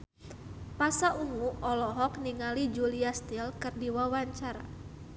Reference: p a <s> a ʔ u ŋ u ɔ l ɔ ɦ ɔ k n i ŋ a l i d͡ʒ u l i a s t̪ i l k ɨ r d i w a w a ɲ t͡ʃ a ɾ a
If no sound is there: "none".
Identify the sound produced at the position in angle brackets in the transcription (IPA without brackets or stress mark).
s